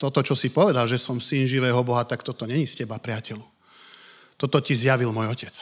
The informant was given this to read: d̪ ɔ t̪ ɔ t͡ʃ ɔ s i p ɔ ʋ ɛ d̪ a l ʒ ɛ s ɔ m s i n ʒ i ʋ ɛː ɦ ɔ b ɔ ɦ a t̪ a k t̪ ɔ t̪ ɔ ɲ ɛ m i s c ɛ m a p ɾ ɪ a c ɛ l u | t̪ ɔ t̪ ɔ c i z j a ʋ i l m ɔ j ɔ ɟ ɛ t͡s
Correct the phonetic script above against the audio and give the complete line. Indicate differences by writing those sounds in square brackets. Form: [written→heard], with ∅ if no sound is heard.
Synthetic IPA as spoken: [d̪→t̪] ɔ t̪ ɔ t͡ʃ ɔ s i p ɔ ʋ ɛ d̪ a l ʒ ɛ s ɔ m s i n ʒ i ʋ ɛː ɦ ɔ b ɔ ɦ a t̪ a k t̪ ɔ t̪ ɔ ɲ ɛ [m→ɲ] i s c ɛ [m→b] a p ɾ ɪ a c ɛ l u | t̪ ɔ t̪ ɔ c i z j a ʋ i l m ɔ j ɔ [ɟ→c] ɛ t͡s